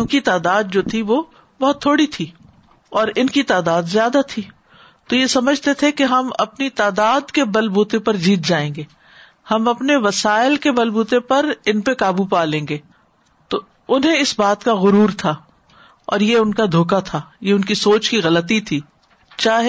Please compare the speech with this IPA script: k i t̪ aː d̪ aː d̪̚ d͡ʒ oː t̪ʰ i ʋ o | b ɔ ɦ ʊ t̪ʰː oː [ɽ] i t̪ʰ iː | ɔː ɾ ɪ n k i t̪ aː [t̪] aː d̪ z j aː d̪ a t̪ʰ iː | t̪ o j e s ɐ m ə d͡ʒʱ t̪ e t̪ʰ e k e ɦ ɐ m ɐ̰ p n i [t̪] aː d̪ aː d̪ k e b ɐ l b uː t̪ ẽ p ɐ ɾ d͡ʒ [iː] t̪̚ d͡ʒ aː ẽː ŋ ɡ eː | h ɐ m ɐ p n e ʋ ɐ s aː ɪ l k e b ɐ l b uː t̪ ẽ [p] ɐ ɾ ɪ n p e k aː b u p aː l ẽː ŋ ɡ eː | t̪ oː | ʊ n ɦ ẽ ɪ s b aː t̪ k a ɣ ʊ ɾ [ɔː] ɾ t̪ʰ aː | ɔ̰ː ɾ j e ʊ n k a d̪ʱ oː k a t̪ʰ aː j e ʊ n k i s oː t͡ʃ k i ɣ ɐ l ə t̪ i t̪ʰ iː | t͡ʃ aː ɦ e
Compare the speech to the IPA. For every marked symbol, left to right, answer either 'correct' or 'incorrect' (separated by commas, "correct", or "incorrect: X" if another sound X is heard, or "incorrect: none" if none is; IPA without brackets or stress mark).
correct, incorrect: d̪, correct, correct, correct, incorrect: uː